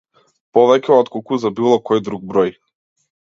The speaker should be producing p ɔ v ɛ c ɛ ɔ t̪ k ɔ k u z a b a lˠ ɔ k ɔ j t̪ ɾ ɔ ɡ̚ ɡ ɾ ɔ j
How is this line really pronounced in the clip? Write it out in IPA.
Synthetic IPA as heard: p ɔ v ɛ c ɛ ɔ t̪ k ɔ k u z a b i lˠ ɔ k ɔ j d̪ ɾ u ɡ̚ b ɾ ɔ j

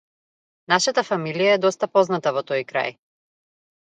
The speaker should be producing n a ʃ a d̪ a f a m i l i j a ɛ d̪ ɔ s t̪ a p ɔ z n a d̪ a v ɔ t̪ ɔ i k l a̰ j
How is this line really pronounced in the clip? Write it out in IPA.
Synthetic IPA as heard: n a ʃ a t̪ a f a m i l i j a ɛ d̪ ɔ s t̪ a p ɔ z n a t̪ a v ɔ t̪ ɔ j k ɾ a̰ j

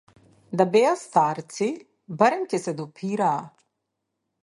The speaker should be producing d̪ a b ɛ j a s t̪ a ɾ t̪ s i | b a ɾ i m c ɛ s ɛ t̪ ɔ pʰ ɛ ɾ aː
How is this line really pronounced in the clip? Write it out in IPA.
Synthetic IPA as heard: d̪ a b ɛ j a s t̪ a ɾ t̪ s i | b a ɾ ɛ m c ɛ s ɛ d̪ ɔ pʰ i ɾ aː

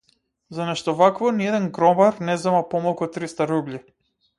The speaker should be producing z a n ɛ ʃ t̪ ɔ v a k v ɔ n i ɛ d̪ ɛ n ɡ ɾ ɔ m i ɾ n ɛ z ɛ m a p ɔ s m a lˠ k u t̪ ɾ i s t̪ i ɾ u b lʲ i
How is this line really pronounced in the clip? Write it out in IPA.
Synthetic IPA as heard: z a n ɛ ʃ t̪ ɔ v a k v ɔ n i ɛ d̪ ɛ n ɡ ɾ ɔ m a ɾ n ɛ z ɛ m a p ɔ m a lˠ k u t̪ ɾ i s t̪ a ɾ u b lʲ i

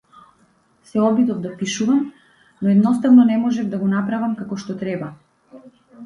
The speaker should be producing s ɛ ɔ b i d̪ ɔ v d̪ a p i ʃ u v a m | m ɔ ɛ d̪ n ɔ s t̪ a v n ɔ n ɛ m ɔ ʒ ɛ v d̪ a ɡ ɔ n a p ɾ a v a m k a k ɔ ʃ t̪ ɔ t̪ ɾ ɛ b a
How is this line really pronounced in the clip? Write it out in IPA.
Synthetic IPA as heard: s ɛ ɔ b i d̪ ɔ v d̪ a p i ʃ u v a m | n ɔ ɛ d̪ n ɔ s t̪ a v n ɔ n ɛ m ɔ ʒ ɛ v d̪ a ɡ ɔ n a p ɾ a v a m k a k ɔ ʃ t̪ ɔ t̪ ɾ ɛ b a

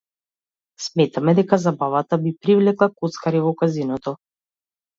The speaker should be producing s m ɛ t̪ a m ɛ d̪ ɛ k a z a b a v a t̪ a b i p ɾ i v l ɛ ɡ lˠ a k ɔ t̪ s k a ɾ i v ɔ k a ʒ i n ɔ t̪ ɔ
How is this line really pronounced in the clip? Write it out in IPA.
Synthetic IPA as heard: s m ɛ t̪ a m ɛ d̪ ɛ k a z a b a v a t̪ a b i p ɾ i v l ɛ k lˠ a k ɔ t̪ s k a ɾ i v ɔ k a z i n ɔ t̪ ɔ

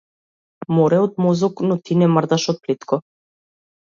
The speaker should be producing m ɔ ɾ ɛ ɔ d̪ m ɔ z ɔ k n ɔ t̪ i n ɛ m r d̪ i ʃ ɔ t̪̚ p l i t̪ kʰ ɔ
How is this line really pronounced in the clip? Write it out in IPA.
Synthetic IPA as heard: m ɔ ɾ ɛ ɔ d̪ m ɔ z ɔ k n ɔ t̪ i n ɛ m r d̪ a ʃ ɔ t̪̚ p l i t̪ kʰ ɔ

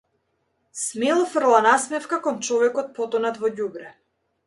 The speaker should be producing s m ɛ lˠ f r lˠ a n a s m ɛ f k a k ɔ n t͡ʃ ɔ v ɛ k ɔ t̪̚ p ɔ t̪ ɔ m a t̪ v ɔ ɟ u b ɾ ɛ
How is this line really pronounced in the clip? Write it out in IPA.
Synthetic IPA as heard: s m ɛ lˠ f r lˠ a n a s m ɛ f k a k ɔ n t͡ʃ ɔ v ɛ k ɔ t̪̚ p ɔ t̪ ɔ n a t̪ v ɔ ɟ u b ɾ ɛ

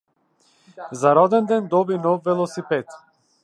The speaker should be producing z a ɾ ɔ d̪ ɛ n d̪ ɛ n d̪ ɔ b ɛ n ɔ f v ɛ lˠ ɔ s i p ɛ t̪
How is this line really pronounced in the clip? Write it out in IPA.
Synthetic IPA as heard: z a ɾ ɔ d̪ ɛ n d̪ ɛ n d̪ ɔ b i n ɔ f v ɛ lˠ ɔ s i p ɛ t̪

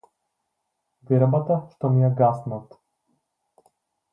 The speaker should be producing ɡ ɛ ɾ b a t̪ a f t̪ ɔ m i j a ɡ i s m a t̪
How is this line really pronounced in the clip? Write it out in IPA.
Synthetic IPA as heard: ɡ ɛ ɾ b a t̪ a ʃ t̪ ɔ m i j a ɡ a s n a t̪

